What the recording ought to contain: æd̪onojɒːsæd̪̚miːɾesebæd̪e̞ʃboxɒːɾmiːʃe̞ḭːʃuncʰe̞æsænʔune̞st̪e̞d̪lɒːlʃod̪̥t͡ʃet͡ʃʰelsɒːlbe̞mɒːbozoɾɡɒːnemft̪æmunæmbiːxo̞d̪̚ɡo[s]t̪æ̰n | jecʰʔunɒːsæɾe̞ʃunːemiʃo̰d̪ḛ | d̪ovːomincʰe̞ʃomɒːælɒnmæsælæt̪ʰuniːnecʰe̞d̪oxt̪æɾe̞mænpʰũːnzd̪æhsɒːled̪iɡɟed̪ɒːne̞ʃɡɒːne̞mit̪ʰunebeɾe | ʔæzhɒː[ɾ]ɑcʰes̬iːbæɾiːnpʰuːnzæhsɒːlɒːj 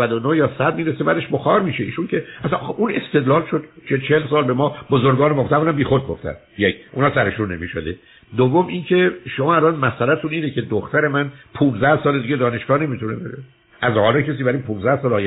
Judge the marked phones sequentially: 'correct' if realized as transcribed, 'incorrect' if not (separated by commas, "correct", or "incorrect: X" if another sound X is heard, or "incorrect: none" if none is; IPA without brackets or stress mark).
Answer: incorrect: f, incorrect: l